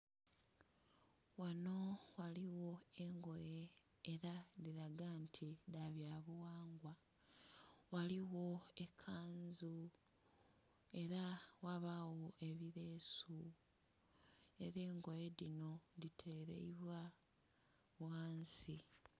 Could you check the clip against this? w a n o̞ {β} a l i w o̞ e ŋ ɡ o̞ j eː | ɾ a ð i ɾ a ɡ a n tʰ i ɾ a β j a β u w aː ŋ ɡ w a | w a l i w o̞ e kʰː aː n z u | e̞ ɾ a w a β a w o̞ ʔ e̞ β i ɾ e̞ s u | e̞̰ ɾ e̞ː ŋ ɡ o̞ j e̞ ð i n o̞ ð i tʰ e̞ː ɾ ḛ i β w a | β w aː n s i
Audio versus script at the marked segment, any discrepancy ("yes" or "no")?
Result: yes